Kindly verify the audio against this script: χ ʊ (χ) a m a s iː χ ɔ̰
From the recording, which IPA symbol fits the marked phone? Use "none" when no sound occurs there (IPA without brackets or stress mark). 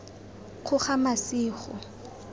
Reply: χ